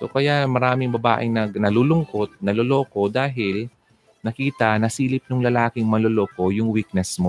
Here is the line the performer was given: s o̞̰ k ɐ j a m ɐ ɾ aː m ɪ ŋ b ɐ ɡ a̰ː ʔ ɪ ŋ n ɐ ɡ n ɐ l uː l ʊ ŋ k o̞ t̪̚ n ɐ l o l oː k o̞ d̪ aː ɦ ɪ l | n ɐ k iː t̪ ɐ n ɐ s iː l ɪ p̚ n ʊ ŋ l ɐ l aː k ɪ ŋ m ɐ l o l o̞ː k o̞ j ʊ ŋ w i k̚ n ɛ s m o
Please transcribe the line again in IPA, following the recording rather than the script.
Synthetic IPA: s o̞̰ k ɐ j a m ɐ ɾ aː m ɪ ŋ b ɐ b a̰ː ʔ ɪ ŋ n ɐ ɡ n ɐ l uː l ʊ ŋ k o̞ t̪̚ n ɐ l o l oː k o̞ d̪ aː ɦ ɪ l | n ɐ k iː t̪ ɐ n ɐ s iː l ɪ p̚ n ʊ ŋ l ɐ l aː k ɪ ŋ m ɐ l o l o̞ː k o̞ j ʊ ŋ w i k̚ n ɛ s m o